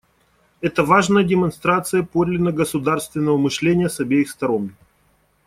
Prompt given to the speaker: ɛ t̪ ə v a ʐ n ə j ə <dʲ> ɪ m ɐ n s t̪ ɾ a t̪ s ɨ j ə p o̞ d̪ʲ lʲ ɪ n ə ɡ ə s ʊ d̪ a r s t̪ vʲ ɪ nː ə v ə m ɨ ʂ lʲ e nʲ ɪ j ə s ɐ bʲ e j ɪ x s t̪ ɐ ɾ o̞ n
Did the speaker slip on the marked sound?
no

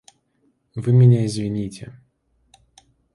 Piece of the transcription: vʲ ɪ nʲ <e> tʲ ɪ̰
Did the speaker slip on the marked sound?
yes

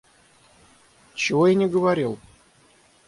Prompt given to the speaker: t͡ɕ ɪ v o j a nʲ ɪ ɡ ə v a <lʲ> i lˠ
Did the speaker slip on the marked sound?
yes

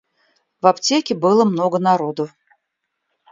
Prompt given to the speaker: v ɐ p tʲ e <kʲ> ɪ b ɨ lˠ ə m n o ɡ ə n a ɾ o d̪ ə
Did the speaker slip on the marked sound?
no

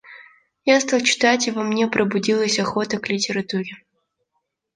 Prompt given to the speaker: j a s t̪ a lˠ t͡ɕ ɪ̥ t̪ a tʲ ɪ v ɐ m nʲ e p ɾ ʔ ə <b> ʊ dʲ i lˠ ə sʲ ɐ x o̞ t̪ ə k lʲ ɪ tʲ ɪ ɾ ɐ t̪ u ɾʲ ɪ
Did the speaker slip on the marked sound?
no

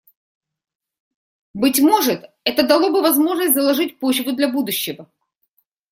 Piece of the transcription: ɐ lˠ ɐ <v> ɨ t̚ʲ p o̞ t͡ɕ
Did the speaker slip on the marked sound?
yes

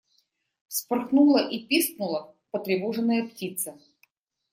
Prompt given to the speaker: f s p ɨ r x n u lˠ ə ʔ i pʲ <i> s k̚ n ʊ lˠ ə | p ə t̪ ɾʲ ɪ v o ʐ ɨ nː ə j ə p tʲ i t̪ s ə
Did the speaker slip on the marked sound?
no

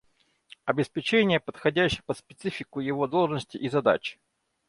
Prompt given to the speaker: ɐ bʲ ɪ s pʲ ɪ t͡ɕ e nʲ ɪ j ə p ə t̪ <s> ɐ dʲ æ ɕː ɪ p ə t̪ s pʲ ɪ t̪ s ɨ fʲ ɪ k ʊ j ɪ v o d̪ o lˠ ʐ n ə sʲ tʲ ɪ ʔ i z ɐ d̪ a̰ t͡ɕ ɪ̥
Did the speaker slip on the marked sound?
yes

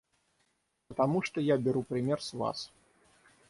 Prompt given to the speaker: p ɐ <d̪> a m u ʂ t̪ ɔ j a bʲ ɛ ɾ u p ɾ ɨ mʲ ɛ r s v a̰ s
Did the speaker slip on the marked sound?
yes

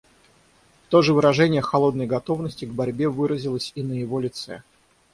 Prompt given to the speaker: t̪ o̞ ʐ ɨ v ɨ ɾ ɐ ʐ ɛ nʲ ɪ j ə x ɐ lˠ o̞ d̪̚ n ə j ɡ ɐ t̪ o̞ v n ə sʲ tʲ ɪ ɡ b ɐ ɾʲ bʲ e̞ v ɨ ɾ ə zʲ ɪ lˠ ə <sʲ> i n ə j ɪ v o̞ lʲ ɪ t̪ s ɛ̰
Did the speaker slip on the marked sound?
no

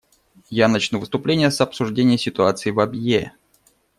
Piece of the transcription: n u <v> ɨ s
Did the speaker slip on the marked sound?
no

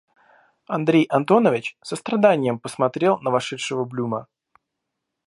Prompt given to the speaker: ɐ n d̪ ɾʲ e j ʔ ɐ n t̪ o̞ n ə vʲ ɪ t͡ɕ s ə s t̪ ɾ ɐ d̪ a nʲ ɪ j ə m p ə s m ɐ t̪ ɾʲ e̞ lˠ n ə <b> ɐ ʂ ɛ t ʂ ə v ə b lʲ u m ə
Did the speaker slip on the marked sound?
yes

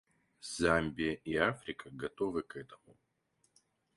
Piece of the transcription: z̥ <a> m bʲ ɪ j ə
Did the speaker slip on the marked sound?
no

